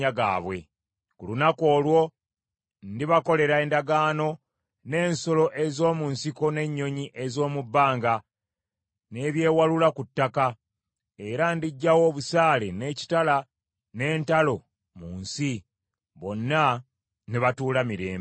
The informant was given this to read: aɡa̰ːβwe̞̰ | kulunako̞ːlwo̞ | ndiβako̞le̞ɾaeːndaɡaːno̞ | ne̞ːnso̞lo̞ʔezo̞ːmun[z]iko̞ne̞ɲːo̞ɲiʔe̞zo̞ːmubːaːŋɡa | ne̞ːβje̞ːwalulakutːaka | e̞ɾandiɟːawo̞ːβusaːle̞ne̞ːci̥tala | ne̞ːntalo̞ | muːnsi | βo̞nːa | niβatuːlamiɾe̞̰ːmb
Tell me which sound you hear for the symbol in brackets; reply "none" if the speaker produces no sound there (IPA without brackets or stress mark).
s